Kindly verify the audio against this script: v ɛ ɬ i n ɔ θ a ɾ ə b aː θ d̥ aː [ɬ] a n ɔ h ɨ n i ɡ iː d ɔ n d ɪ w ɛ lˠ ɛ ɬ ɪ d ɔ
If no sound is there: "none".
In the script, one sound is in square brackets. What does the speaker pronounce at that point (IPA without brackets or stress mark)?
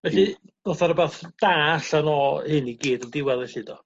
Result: ɬ